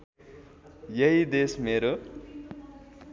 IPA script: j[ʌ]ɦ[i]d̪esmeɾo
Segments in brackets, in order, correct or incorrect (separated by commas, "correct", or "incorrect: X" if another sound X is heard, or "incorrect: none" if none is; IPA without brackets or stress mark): correct, correct